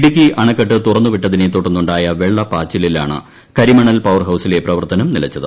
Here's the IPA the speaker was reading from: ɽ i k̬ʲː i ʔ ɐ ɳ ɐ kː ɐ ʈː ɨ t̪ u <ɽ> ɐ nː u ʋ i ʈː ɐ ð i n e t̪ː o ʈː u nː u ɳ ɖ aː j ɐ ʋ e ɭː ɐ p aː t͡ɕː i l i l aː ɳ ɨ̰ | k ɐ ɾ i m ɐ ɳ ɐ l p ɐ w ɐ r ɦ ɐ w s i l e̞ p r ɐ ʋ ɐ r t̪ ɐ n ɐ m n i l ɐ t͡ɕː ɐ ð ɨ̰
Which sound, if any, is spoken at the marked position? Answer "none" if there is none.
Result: r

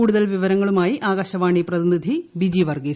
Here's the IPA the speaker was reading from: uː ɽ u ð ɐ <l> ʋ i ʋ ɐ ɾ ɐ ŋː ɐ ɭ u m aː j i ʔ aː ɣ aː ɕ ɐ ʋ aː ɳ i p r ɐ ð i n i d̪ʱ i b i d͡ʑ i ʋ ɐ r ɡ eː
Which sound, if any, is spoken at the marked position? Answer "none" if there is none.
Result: l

